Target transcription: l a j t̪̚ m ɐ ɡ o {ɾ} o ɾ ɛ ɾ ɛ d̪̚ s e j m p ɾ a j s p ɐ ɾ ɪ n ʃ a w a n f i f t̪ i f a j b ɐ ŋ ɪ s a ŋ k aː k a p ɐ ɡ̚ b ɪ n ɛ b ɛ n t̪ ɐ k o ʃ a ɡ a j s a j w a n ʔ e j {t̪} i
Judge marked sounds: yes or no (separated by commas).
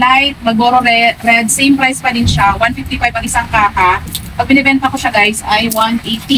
yes, yes